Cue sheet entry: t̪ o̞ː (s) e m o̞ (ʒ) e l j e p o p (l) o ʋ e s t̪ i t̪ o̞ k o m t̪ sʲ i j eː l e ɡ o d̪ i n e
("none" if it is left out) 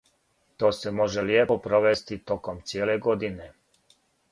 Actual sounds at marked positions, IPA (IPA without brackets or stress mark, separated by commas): s, ʒ, ɾ